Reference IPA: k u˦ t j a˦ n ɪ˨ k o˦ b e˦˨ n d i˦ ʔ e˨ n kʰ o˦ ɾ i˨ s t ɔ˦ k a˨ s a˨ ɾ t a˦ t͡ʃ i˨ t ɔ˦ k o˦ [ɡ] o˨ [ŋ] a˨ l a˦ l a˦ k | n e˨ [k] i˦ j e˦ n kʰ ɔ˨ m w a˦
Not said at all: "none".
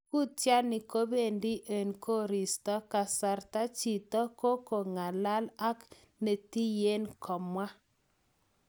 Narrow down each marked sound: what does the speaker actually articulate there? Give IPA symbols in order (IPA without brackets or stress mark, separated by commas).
k, ŋ, t